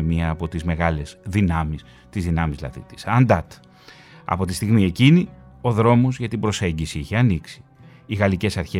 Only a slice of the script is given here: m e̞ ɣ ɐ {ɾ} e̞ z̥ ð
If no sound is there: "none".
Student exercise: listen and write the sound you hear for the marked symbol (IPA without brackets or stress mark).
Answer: l